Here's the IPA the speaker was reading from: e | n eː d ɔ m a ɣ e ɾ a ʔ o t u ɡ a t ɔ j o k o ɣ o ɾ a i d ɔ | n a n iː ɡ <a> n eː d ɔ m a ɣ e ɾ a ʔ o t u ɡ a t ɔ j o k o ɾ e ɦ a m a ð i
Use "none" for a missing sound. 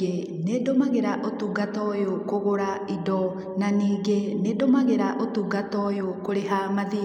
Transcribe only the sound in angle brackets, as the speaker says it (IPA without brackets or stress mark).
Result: e